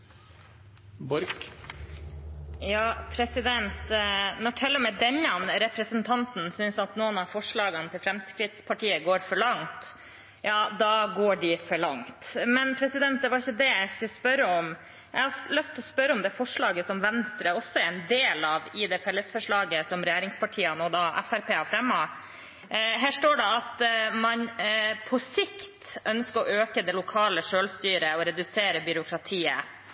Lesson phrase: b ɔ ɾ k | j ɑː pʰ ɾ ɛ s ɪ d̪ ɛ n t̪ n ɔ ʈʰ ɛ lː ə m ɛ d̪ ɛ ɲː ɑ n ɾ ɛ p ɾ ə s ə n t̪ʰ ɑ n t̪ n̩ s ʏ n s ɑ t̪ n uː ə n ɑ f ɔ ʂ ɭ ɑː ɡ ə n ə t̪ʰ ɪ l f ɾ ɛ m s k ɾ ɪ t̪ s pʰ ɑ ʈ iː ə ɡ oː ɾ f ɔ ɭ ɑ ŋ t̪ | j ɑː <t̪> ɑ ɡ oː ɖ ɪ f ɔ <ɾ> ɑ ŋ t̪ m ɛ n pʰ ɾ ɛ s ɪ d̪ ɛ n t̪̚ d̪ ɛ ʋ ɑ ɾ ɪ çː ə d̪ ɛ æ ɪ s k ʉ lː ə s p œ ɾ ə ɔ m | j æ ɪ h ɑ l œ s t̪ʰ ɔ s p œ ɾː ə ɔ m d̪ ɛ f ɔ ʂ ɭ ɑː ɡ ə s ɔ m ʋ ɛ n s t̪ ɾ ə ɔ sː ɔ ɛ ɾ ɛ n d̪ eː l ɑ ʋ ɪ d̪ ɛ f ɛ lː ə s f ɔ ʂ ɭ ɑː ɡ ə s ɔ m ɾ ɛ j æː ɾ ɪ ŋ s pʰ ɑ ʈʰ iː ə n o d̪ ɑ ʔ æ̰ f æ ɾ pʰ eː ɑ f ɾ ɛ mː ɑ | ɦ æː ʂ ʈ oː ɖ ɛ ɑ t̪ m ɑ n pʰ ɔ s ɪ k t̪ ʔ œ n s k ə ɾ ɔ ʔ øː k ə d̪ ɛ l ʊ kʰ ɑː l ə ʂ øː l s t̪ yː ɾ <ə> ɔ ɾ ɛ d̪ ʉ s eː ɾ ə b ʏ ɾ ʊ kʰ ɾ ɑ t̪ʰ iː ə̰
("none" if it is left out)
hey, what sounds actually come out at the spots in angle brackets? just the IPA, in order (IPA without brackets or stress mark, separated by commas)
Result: d̪, ɭ, ə